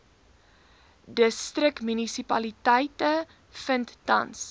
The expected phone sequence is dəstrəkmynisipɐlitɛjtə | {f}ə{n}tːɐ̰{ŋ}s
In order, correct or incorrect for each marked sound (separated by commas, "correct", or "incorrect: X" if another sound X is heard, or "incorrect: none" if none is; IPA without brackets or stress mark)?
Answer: correct, correct, incorrect: n